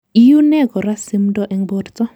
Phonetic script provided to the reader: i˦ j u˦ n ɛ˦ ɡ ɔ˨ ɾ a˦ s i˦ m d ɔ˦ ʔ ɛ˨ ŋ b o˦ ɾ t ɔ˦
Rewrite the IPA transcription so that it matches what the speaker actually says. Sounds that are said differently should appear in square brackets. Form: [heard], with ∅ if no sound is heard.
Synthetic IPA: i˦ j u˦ n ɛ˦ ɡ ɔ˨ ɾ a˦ s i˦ m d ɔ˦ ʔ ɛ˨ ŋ b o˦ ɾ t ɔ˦